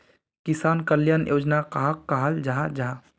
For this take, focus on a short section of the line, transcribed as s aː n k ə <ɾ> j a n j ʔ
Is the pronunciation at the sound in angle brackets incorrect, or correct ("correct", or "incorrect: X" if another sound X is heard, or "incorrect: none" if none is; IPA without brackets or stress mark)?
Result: incorrect: l